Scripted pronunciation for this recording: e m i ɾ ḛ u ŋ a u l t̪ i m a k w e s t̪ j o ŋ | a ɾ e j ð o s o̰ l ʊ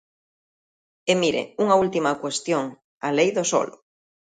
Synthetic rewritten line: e m i ɾ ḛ u ŋ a u l t̪ i m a k w e s t̪ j o ŋ | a l e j ð o s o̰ l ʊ

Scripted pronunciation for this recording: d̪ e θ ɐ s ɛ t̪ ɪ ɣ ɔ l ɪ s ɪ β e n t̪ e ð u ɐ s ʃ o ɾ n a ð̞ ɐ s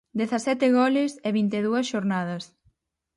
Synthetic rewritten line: d̪ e θ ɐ s ɛ t̪ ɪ ɣ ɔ l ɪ s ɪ β i n t̪ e ð u ɐ s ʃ o ɾ n a ð̞ ɐ s

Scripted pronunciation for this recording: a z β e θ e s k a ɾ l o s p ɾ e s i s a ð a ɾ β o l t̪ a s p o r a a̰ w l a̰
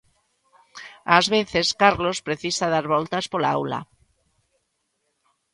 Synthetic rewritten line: a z β e θ e s k a ɾ l o s p ɾ e θ i s a ð a ɾ β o l t̪ a s p o l a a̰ w l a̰

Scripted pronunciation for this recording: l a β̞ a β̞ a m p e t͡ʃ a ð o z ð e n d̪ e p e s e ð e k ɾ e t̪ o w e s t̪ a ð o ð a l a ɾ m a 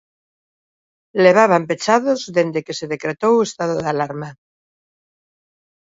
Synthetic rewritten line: l e β̞ a β̞ a m p e t͡ʃ a ð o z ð e n d̪ e k e s e ð e k ɾ e t̪ o w e s t̪ a ð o ð a l a ɾ m a

